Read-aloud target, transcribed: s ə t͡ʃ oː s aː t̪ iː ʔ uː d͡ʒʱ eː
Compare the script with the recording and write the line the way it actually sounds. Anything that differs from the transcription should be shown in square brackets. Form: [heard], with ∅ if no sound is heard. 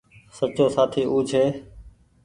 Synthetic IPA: s ə t͡ʃ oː s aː [t̪ʰ] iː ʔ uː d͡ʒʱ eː

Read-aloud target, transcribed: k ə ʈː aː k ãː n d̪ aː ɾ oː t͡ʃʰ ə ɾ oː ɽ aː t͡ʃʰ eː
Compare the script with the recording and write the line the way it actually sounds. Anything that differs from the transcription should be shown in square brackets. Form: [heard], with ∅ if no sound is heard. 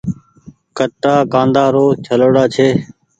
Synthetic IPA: k ə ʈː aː k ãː n d̪ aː ɾ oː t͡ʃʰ ə [l] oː ɽ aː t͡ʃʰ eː

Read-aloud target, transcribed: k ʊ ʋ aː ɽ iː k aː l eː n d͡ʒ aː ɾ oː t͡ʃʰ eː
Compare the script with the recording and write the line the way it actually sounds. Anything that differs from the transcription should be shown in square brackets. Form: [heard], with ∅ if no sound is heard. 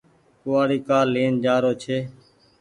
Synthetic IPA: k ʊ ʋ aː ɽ iː k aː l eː n d͡ʒ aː ɾ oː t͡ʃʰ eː

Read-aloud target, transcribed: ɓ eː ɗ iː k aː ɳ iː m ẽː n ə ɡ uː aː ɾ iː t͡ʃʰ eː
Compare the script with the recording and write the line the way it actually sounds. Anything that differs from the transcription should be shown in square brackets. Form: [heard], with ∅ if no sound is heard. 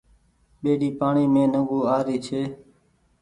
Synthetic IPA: ɓ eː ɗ iː [p] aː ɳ iː m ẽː n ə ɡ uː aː ɾ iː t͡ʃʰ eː

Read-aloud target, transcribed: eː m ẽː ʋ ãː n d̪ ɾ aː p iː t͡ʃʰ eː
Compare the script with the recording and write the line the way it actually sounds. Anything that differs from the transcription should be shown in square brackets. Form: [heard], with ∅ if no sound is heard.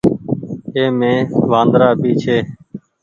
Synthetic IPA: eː m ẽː ʋ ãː n d̪ ɾ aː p iː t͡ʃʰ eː

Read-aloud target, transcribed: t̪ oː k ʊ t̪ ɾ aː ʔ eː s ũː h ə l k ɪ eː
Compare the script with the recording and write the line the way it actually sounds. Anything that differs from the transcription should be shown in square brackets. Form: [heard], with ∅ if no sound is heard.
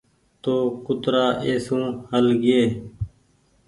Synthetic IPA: t̪ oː k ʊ t̪ ɾ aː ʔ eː s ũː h ə l [ɡ] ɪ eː

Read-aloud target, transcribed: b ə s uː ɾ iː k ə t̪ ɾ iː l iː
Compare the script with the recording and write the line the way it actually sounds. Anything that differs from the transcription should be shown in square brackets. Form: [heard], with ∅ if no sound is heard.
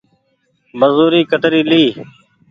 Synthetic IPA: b ə [z] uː ɾ iː k ə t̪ ɾ iː l iː

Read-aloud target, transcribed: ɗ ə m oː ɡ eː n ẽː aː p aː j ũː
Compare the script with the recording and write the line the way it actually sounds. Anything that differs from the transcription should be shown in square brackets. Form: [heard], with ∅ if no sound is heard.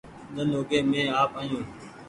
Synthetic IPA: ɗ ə [n] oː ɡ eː [m] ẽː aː p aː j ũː

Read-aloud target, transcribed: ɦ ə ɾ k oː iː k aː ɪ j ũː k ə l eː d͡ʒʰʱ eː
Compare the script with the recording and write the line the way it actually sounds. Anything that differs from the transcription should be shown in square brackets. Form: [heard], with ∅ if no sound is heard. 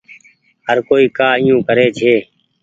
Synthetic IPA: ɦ ə ɾ k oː iː k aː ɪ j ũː k ə [ɾ] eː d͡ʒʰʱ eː

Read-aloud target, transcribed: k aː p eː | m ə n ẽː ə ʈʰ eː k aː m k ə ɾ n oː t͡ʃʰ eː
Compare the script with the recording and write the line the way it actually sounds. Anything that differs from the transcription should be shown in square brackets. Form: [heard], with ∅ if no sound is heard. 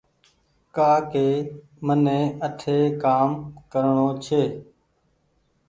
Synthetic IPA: k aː [k] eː | m ə n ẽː ə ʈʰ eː k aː m k ə ɾ [ɳ] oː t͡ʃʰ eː

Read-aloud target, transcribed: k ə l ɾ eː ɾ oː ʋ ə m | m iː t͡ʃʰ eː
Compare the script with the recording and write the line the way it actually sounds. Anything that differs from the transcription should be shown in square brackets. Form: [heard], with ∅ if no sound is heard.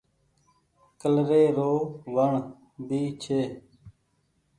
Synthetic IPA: k ə l ɾ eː ɾ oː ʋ ə [ɳ] | [b] iː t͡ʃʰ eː

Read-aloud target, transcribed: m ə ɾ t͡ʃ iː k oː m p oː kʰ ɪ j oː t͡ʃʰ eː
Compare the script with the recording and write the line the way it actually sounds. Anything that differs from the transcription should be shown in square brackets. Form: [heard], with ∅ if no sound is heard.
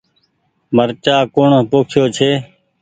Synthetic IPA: m ə ɾ t͡ʃ [aː] k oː [ɳ] p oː kʰ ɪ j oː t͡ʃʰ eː

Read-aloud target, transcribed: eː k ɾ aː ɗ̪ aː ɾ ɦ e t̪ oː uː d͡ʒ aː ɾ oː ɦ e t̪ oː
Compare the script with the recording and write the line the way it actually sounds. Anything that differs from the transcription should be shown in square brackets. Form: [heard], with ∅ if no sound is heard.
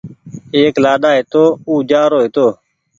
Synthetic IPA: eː k [l] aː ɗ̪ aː [∅] ɦ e t̪ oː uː d͡ʒ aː ɾ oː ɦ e t̪ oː

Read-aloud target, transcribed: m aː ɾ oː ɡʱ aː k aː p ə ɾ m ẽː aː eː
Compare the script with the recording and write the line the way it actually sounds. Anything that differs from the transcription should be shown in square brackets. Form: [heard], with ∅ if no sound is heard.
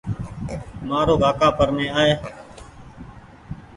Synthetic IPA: m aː ɾ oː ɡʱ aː k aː p ə ɾ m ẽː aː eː

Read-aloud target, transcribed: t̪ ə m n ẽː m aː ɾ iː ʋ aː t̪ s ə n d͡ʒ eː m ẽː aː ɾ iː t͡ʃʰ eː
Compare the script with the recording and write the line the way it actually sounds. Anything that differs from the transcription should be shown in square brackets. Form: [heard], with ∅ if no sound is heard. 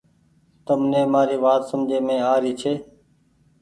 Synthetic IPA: t̪ ə m n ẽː m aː ɾ iː ʋ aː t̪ s ə [m] d͡ʒ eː m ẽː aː ɾ iː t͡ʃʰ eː

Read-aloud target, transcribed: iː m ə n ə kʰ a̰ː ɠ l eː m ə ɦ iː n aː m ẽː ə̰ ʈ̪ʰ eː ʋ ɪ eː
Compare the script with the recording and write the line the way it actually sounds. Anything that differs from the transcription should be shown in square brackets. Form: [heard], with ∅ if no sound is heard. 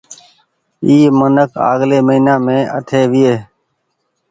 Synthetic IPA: iː m ə n ə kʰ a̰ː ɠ l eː m ə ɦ iː n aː m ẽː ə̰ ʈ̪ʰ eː ʋ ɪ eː

